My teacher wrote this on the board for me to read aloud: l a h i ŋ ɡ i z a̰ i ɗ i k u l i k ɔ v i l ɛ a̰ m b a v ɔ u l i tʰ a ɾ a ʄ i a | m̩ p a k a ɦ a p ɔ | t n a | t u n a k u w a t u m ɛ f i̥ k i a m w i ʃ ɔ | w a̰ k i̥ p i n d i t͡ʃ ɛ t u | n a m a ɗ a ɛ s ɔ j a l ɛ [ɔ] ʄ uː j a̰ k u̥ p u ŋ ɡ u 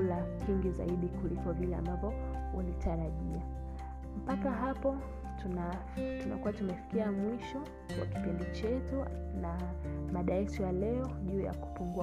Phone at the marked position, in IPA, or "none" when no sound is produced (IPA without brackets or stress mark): ɔ